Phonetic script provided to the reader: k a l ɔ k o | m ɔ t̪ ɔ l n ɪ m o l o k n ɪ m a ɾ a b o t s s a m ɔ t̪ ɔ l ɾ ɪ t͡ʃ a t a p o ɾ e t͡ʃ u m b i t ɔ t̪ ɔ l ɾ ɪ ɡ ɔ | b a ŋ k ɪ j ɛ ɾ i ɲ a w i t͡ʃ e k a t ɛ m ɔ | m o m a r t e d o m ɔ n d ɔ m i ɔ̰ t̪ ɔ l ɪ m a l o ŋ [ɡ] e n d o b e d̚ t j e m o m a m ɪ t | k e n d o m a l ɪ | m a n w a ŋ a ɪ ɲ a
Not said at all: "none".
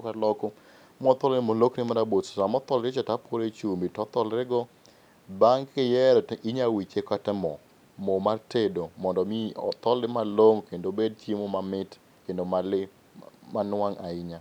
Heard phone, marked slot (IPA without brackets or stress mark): k